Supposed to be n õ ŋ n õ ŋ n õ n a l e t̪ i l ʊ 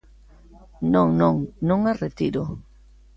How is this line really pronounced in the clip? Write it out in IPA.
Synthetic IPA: n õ ŋ n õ ŋ n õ ŋ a r e t̪ i ɾ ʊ

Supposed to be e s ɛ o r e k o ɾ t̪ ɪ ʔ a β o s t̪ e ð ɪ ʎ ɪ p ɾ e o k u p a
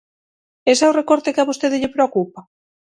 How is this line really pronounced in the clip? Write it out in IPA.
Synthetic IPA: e s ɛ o r e k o ɾ t̪ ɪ k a β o s t̪ e ð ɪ ʎ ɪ p ɾ e o k u p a

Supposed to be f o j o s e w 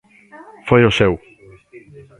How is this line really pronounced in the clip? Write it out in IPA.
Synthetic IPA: f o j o s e w

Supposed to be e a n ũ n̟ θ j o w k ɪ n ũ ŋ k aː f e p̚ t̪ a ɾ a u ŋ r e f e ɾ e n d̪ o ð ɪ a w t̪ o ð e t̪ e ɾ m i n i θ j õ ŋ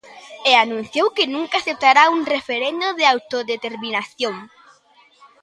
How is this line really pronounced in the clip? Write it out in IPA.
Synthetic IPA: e a n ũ n̟ θ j o w k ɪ n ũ ŋ k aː θ e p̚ t̪ a ɾ a u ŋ r e f e ɾ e n d̪ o ð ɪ a w t̪ o ð e t̪ e ɾ m i n a θ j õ ŋ

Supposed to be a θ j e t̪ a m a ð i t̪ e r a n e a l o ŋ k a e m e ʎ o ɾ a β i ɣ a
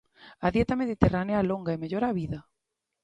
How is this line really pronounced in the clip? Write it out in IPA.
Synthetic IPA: a ð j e t̪ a m e ð i t̪ e r a n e a l o ŋ ɡ a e m e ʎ o ɾ a β i ð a

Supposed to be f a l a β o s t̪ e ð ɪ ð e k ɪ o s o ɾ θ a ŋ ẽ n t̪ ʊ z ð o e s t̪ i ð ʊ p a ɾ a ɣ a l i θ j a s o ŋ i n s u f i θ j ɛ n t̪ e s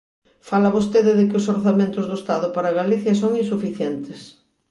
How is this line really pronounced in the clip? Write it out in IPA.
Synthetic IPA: f a l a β o s t̪ e ð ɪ ð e k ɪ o s o ɾ θ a m ẽ n t̪ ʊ z ð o e s t̪ a ð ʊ p a ɾ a ɣ a l i θ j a s o ŋ i n s u f i θ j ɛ n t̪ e s

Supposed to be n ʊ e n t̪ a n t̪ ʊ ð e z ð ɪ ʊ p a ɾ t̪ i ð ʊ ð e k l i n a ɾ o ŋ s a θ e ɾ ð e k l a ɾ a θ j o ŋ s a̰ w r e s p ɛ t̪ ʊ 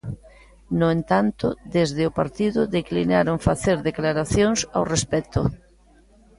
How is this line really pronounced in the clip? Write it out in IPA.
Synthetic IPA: n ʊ e n t̪ a n t̪ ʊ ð e z ð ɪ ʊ p a ɾ t̪ i ð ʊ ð e k l i n a ɾ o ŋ f a θ e ɾ ð e k l a ɾ a θ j o ŋ s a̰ w r e s p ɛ t̪ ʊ

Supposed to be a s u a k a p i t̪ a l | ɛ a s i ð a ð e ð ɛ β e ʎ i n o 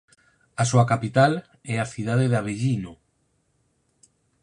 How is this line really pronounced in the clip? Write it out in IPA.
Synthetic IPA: a s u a k a p i t̪ a l | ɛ a θ i ð a ð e ð a β e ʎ i n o

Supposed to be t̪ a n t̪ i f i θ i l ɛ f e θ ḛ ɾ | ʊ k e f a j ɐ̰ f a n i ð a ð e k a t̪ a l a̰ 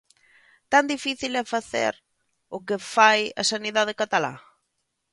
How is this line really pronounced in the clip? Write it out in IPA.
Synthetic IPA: t̪ a n d̪ i f i θ i l ɛ f a θ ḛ ɾ | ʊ k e f a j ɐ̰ s a n i ð a ð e k a t̪ a l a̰

